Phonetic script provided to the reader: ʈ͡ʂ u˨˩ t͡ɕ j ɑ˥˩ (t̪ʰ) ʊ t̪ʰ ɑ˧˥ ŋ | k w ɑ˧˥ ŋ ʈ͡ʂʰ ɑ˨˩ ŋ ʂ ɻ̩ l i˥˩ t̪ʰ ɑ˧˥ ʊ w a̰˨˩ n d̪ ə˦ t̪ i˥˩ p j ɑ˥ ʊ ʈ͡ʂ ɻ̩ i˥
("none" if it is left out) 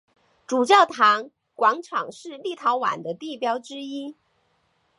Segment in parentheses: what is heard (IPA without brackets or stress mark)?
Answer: none